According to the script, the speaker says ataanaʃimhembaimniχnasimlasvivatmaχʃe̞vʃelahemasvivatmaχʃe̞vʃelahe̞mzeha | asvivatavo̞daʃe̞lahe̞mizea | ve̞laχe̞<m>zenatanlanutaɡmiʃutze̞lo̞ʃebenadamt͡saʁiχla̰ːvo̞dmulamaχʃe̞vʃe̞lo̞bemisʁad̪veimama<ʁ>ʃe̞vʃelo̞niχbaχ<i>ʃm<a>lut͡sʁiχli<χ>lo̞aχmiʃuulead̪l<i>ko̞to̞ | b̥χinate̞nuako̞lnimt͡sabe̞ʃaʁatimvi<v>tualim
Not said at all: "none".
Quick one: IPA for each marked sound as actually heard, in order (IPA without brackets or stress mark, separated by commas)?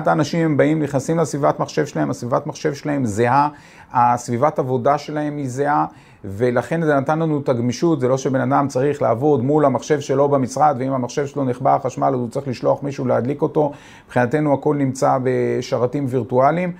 n, χ, a, a, ʃ, i, ʁ